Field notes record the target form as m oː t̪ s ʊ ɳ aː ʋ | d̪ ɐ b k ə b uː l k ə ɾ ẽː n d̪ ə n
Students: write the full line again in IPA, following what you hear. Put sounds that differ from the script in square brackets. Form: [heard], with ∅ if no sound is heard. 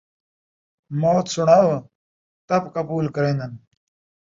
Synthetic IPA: m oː t̪ s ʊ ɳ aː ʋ | [t̪] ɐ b k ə b uː l k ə ɾ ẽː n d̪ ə n